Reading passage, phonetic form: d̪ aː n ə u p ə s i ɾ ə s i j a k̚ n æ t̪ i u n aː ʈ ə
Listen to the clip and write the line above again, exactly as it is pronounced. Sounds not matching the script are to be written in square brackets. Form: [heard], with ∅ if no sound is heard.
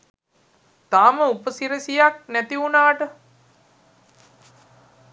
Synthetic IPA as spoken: [t̪] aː [m] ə u p ə s i ɾ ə s i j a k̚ n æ t̪ i u n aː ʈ ə